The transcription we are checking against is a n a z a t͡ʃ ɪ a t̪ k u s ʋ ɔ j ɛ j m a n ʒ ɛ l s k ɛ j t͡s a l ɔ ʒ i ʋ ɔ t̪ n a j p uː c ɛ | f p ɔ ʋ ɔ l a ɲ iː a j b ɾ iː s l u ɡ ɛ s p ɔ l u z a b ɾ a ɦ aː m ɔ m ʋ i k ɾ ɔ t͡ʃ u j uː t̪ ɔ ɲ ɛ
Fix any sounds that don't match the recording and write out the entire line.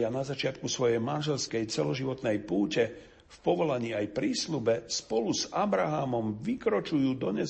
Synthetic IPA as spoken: a n a z a t͡ʃ ɪ a t̪ k u s ʋ ɔ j ɛ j m a n ʒ ɛ l s k ɛ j t͡s ɛ l ɔ ʒ i ʋ ɔ t̪ n ɛ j p uː c ɛ | f p ɔ ʋ ɔ l a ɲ iː a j p ɾ iː s l u b ɛ s p ɔ l u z a b ɾ a ɦ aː m ɔ m ʋ i k ɾ ɔ t͡ʃ u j uː d̪ ɔ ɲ ɛ